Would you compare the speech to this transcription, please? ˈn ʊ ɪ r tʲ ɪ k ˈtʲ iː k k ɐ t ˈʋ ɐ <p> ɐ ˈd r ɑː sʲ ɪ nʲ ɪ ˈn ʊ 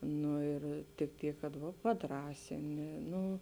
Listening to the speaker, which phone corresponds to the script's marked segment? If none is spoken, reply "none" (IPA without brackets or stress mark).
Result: p